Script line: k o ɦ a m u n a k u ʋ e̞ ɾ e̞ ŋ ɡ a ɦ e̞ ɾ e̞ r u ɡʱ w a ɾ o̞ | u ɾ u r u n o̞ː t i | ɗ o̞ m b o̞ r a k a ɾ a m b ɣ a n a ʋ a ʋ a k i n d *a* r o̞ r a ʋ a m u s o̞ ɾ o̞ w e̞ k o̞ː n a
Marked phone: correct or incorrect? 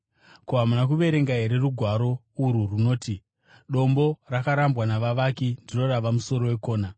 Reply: incorrect